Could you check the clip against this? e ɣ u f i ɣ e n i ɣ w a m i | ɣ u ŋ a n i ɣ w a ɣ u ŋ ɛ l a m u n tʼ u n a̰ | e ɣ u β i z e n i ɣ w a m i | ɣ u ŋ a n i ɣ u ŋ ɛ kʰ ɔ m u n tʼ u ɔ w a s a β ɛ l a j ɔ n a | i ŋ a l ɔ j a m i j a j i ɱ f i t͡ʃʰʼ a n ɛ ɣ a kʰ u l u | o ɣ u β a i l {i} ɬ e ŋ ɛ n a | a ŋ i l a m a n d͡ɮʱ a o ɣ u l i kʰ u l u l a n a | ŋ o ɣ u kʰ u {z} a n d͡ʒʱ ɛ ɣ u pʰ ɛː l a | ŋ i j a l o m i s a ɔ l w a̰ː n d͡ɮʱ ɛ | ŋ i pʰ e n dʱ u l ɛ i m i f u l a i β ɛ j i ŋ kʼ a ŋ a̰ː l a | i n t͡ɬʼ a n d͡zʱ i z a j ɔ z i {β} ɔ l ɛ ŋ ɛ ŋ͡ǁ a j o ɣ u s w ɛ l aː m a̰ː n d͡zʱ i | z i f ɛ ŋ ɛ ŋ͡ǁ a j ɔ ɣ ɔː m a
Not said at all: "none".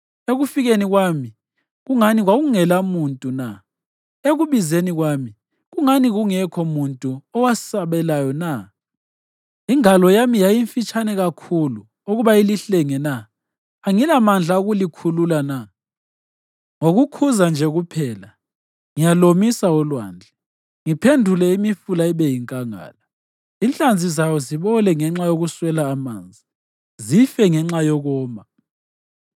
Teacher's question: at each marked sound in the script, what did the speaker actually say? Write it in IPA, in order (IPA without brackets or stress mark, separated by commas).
i, z, β